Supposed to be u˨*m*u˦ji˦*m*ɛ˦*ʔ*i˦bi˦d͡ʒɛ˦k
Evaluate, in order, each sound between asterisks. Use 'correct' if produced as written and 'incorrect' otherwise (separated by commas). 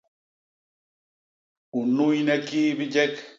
incorrect, incorrect, incorrect